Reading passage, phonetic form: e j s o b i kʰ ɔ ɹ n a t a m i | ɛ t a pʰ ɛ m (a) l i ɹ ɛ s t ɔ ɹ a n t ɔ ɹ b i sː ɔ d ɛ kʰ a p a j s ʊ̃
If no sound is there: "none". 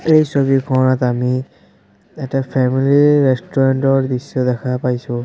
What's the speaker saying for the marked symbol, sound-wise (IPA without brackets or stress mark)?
i